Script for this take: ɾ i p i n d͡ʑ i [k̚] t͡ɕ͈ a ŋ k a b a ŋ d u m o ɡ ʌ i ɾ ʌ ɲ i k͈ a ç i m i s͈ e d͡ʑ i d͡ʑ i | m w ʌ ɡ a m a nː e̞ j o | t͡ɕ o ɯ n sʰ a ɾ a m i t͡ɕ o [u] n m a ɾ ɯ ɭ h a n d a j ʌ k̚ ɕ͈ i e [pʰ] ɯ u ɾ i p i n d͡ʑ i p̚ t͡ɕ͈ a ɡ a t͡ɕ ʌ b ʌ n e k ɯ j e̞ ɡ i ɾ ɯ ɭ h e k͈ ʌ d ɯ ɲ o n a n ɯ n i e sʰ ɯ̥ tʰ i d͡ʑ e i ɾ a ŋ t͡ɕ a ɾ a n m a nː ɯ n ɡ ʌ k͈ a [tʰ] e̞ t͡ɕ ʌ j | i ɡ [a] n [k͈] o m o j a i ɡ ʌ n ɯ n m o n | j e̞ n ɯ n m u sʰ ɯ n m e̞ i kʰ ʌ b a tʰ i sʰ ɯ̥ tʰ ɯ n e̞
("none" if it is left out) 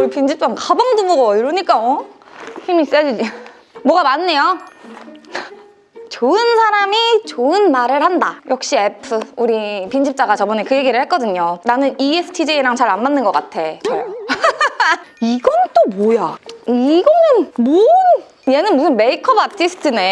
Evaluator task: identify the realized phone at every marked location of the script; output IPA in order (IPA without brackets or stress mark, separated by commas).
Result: p̚, ɯ, pʰ, tʰ, ʌ, t͈